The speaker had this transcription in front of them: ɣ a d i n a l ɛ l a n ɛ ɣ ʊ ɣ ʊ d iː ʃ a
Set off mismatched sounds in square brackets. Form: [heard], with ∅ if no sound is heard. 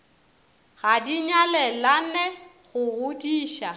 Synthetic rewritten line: ɣ a d i [ɲ] a l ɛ l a n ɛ ɣ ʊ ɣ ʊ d iː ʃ a